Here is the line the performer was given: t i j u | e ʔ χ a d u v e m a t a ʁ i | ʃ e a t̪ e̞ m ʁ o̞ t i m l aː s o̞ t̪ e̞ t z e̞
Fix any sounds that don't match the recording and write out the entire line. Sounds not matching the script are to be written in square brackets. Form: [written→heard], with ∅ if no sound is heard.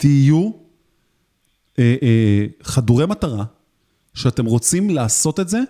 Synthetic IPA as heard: t i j u | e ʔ χ a d u [v→ʁ] e m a t a ʁ [i→a] | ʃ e a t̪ e̞ m ʁ o̞ [t→t͡s] i m l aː s o̞ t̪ e̞ t z e̞